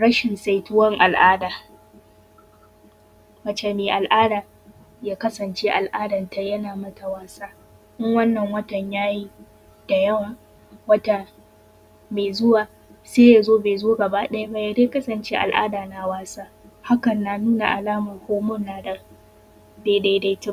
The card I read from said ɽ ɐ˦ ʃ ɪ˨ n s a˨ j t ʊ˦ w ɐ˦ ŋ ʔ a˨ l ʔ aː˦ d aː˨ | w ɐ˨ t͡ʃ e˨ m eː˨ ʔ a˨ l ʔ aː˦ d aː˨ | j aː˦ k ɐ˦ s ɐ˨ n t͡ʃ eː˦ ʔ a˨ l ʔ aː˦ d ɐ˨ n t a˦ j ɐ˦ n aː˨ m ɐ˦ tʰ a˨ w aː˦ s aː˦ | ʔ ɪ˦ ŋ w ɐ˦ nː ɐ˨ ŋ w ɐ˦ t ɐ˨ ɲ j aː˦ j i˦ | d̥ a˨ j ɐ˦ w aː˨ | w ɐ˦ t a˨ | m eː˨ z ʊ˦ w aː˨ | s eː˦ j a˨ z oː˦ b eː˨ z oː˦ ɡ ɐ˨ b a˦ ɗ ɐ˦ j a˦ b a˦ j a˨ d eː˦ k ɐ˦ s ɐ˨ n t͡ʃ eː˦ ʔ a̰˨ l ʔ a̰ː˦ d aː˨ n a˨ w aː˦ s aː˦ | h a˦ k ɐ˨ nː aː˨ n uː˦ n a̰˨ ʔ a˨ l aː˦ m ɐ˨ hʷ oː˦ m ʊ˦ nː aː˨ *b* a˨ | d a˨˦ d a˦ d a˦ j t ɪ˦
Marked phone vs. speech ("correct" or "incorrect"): incorrect